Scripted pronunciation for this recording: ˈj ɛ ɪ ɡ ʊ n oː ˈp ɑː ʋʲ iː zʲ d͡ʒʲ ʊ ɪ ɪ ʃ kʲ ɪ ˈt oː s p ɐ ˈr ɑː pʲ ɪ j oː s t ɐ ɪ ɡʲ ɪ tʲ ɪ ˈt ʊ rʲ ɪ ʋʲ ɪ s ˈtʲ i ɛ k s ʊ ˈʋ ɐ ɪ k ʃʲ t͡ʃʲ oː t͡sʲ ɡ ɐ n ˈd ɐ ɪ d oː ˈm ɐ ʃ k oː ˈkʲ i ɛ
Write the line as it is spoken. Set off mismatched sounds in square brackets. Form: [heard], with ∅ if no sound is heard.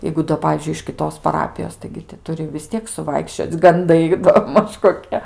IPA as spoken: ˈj ɛ ɪ ɡ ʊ [d] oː ˈp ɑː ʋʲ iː zʲ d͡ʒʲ ʊ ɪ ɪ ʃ kʲ ɪ ˈt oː s p ɐ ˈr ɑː pʲ ɪ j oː s t ɐ ɪ ɡʲ ɪ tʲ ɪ ˈt ʊ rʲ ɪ ʋʲ ɪ s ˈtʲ i ɛ k s ʊ ˈʋ ɐ ɪ k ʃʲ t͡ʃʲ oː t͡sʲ ɡ ɐ n ˈd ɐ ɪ d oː ˈm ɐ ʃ k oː ˈkʲ i ɛ